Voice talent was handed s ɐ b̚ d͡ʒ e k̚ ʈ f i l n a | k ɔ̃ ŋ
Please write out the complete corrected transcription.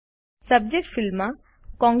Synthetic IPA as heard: s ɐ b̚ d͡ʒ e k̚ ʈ f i l m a | k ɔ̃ ŋ